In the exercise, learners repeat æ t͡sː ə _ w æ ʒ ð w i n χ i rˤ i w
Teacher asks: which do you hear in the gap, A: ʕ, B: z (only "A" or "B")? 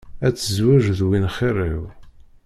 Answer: B